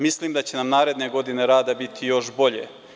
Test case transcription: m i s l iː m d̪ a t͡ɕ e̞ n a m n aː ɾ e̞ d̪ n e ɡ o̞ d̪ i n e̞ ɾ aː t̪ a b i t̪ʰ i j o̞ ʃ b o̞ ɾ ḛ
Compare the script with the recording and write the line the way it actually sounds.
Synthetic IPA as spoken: m i s l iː m d̪ a t͡ɕ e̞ n a m n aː ɾ e̞ d̪ n e ɡ o̞ d̪ i n e̞ ɾ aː d̪ a b i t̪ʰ i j o̞ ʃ b o̞ ʎ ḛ